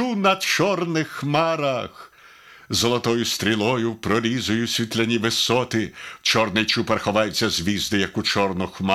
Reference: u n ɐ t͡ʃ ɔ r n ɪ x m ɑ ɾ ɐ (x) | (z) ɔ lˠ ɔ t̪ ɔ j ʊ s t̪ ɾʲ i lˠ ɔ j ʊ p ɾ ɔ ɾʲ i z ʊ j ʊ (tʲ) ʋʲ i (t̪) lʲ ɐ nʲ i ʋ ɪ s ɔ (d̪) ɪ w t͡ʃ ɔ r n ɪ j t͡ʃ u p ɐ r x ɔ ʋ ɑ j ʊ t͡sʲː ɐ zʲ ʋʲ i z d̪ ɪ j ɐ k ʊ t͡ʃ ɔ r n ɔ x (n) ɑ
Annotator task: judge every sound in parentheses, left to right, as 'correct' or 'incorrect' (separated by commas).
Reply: correct, correct, incorrect, correct, incorrect, incorrect